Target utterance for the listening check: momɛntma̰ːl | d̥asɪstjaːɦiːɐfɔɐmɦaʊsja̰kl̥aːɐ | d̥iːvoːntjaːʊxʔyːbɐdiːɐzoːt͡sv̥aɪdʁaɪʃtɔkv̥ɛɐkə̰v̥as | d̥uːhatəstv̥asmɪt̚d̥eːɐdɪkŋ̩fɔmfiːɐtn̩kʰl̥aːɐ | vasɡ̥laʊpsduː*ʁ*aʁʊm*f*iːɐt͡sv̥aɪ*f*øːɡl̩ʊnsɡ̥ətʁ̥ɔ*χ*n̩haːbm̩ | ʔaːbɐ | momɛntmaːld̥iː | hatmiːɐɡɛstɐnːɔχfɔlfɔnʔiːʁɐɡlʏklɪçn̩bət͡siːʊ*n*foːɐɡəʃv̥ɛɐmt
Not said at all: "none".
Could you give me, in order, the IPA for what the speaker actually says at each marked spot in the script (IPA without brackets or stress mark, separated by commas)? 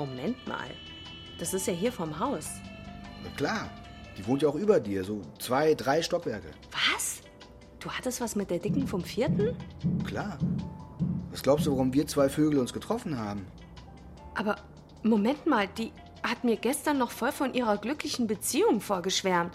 v, v, f, f, ŋ